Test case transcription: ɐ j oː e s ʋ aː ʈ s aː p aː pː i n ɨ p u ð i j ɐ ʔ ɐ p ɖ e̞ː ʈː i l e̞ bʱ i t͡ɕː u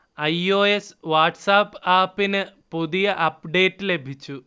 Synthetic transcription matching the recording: ɐ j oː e s ʋ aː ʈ s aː p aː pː i n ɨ p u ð i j ɐ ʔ ɐ p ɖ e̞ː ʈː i l e̞ bʱ i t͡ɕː u